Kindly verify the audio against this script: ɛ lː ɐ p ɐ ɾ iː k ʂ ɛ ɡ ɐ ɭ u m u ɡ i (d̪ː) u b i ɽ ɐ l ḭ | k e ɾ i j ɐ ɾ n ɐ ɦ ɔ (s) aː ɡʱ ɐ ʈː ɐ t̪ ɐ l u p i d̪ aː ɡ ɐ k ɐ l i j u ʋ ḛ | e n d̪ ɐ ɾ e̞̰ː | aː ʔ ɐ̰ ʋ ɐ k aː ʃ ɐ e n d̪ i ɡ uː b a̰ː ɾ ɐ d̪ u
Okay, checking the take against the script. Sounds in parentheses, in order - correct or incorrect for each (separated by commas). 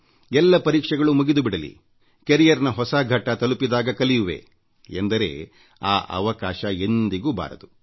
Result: incorrect, correct